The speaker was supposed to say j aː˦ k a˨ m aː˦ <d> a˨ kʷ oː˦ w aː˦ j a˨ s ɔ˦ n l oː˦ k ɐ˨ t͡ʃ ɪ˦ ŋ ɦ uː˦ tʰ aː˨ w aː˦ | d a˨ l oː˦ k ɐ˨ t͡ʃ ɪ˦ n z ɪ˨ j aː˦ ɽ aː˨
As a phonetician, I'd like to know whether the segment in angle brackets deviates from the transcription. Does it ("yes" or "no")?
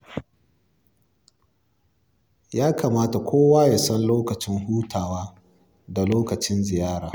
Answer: yes